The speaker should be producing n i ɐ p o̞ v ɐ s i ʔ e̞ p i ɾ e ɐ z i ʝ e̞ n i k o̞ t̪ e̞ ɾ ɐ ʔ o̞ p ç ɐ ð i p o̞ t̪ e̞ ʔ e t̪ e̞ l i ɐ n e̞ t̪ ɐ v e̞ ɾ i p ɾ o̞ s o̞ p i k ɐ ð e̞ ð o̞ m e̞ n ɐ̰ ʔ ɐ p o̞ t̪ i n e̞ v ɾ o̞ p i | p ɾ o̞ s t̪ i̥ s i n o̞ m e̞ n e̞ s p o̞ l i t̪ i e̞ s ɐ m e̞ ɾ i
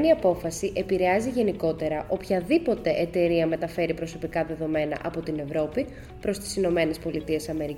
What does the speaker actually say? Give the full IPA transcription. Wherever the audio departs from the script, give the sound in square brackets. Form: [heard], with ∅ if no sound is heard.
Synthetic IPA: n i ɐ p o̞ [f] ɐ s i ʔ e̞ p i ɾ e ɐ z i ʝ e̞ n i k o̞ t̪ e̞ ɾ ɐ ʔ o̞ p ç ɐ ð i p o̞ t̪ e̞ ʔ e t̪ e̞ [ɾ] i ɐ [m] e̞ t̪ ɐ [f] e̞ ɾ i p ɾ o̞ s o̞ p i k ɐ ð e̞ ð o̞ m e̞ n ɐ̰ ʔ ɐ p o̞ t̪ i n e̞ v ɾ o̞ p i | p ɾ o̞ s t̪ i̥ s i n o̞ m e̞ n e̞ s p o̞ l i t̪ i e̞ s ɐ m e̞ ɾ i